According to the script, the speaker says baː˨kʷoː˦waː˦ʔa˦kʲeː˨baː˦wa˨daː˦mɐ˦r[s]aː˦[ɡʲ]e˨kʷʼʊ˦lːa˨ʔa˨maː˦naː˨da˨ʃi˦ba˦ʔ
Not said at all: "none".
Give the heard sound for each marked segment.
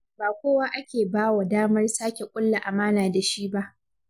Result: s, kʲ

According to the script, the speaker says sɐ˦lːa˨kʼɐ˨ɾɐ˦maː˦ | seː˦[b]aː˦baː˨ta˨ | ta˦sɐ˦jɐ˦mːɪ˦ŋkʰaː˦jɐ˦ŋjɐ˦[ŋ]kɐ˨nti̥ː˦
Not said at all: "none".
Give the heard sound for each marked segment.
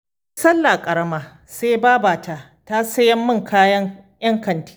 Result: b, ŋ

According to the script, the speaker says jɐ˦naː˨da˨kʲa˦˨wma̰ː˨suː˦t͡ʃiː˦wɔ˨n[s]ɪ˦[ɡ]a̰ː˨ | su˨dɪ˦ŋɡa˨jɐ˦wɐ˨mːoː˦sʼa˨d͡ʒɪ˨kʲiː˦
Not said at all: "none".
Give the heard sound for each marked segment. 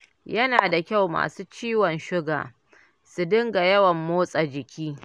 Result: ʃ, ɡ

